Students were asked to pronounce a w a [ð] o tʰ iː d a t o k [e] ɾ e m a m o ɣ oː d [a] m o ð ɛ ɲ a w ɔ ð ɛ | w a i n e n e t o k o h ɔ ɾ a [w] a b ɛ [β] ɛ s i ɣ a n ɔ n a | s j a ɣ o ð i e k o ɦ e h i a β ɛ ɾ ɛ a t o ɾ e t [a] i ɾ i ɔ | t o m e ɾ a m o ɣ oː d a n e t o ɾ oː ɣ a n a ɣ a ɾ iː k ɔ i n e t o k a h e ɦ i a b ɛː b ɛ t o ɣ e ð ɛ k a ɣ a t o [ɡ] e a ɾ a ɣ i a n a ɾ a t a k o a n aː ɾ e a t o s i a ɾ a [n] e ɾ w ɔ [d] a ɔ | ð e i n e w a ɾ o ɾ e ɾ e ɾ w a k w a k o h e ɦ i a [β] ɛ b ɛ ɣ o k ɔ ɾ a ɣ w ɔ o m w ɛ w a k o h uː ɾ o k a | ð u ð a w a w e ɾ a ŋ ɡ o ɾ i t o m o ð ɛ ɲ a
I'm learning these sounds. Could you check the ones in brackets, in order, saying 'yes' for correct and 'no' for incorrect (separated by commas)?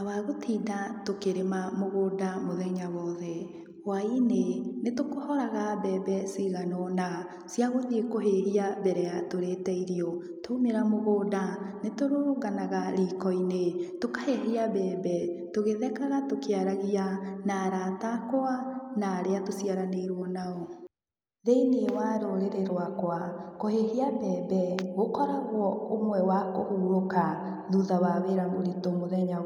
no, yes, yes, no, no, no, no, yes, no, no